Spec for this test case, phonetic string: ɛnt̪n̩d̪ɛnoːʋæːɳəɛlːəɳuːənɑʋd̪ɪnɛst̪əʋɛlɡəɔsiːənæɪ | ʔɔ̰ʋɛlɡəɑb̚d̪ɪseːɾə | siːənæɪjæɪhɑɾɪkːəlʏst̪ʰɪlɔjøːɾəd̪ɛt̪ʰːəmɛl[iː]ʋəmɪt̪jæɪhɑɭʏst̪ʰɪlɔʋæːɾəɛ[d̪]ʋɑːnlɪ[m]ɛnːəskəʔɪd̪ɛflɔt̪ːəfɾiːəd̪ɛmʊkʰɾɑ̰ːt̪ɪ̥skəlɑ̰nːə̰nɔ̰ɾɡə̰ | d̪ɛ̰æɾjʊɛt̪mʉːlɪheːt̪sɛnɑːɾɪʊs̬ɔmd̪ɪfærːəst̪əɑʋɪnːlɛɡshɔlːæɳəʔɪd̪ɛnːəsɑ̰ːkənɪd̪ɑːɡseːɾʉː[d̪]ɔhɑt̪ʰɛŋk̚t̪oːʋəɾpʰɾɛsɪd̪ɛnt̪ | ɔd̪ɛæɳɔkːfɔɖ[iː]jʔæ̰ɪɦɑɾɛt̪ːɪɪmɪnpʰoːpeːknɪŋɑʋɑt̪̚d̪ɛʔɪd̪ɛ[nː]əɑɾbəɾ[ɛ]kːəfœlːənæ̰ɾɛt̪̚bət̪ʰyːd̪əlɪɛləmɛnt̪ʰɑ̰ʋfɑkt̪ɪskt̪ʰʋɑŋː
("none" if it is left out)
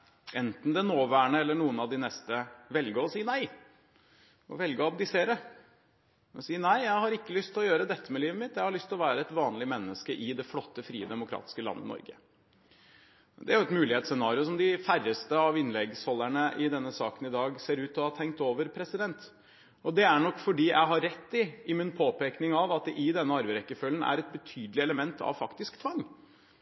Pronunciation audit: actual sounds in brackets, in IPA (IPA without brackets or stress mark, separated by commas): iː, t̪, m, t̪, iː, nː, ɛ